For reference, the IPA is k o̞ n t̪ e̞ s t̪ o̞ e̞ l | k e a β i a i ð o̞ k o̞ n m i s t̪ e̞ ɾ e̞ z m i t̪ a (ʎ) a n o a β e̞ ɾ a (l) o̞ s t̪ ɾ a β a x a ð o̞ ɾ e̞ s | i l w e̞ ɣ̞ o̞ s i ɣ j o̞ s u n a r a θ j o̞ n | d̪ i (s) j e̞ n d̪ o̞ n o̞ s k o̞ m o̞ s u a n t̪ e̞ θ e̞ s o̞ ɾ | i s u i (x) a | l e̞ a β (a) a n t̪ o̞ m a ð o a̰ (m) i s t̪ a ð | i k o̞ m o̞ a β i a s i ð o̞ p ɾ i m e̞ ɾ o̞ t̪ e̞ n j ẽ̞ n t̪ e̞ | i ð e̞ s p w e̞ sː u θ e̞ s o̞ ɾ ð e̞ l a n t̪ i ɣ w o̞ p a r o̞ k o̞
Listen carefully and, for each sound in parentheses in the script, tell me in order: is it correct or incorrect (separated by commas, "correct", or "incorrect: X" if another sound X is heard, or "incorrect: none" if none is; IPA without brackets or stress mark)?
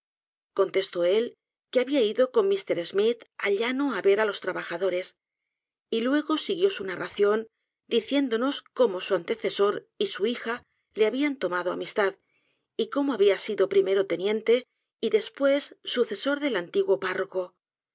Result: correct, correct, incorrect: θ, correct, incorrect: i, correct